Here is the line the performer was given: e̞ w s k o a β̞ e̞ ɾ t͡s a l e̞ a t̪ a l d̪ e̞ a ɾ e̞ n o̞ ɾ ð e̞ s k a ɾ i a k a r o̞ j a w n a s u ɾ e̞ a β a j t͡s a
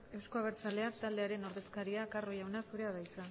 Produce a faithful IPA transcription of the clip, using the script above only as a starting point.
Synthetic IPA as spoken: e̞ w s k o a β̞ e̞ ɾ t͡s a l e̞ a t̪ a l d̪ e̞ a ɾ e̞ n o̞ ɾ ð e̞ s k a ɾ i a k a r o̞ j a w n a s u ɾ e̞ a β a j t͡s a